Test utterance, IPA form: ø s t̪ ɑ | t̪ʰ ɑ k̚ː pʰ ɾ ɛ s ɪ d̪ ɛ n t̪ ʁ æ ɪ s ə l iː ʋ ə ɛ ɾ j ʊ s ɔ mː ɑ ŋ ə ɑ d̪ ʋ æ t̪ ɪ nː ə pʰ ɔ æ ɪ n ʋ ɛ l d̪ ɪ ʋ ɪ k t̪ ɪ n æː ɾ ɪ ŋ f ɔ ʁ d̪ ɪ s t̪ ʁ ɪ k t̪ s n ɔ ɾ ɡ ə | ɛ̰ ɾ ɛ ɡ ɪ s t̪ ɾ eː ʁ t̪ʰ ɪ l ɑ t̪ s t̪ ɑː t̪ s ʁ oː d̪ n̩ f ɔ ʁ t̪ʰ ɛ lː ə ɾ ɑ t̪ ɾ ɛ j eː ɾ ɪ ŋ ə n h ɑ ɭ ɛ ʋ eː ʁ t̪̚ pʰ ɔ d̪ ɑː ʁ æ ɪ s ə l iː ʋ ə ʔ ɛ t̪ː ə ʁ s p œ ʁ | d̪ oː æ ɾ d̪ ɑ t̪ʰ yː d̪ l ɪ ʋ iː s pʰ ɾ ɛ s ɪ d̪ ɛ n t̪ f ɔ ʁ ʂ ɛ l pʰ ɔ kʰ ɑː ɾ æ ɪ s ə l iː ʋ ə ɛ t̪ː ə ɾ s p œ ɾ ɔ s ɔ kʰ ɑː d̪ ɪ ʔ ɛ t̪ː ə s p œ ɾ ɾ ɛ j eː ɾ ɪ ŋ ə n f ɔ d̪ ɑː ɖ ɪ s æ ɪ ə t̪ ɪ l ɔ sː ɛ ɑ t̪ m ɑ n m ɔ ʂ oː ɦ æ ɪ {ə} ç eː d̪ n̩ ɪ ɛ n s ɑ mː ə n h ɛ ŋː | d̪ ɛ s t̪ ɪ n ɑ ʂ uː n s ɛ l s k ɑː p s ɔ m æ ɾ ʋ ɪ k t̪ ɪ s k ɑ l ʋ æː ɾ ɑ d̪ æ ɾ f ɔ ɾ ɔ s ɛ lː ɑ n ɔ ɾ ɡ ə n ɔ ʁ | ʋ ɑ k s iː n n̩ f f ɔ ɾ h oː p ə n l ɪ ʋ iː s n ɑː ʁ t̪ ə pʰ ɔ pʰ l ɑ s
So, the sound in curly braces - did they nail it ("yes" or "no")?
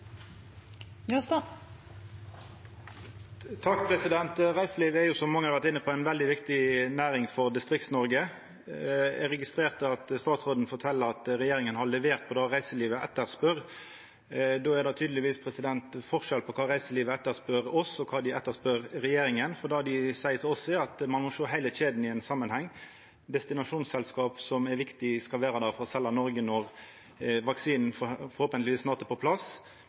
yes